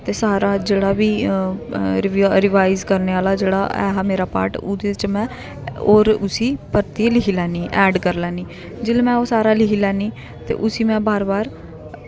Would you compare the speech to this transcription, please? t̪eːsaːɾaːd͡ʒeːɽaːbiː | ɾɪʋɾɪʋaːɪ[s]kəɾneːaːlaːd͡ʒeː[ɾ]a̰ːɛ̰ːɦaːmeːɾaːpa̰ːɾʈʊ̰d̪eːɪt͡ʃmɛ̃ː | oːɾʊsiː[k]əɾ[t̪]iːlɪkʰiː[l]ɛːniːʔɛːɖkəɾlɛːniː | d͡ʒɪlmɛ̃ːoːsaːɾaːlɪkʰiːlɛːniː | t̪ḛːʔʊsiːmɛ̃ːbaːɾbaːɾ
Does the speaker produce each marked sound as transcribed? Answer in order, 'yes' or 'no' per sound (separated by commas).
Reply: no, no, no, yes, yes